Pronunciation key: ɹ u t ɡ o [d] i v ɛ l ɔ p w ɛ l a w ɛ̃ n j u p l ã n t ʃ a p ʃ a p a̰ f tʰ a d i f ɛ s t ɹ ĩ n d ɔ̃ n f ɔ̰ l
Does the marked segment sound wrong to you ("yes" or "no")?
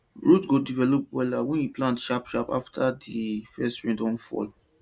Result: no